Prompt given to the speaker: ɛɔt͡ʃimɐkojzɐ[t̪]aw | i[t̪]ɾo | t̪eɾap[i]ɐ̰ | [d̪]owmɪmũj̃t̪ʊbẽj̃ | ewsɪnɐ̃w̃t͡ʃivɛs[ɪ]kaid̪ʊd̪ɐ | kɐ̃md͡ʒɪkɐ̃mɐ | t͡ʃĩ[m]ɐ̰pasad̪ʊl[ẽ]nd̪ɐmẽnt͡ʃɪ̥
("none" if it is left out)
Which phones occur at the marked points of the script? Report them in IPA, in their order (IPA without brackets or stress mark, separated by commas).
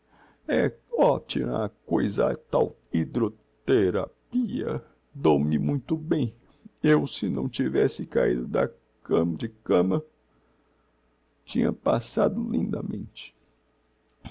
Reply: t̪, d̪, i, d̪, ɪ, ɲ, ĩ